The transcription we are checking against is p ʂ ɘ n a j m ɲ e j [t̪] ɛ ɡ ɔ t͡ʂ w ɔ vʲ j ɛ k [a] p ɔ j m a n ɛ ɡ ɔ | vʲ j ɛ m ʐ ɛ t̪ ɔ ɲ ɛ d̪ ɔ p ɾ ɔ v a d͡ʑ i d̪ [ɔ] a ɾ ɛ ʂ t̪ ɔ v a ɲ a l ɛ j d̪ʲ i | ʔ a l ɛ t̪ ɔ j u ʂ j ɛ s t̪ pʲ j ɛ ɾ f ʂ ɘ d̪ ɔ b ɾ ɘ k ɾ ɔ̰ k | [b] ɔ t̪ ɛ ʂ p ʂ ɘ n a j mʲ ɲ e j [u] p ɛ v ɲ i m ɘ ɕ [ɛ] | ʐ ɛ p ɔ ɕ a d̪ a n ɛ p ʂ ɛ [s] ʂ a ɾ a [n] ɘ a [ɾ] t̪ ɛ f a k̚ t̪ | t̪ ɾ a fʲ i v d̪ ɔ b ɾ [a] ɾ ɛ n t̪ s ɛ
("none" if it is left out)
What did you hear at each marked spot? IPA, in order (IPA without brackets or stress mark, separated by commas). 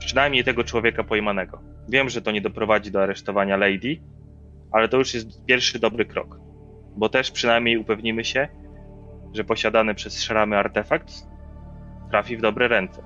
t̪, a, ɔ, b, u, ɛ, s, m, ɾ, ɛ